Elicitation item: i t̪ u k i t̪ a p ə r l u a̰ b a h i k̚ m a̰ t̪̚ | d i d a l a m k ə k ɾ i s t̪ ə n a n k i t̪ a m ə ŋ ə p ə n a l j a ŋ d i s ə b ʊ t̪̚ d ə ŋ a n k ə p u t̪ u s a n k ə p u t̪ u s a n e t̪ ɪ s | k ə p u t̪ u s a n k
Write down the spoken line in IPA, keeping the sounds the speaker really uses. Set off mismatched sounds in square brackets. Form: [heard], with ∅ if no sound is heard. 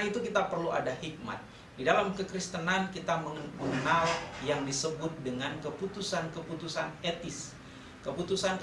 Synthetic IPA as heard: i t̪ u k i t̪ a p ə r l u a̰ [d] a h i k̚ m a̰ t̪̚ | d i d a l a m k ə k ɾ i s t̪ ə n a n k i t̪ a m ə ŋ ə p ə n a l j a ŋ d i s ə b ʊ t̪̚ d ə ŋ a n k ə p u t̪ u s a n k ə p u t̪ u s a n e t̪ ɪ s | k ə p u t̪ u s a n k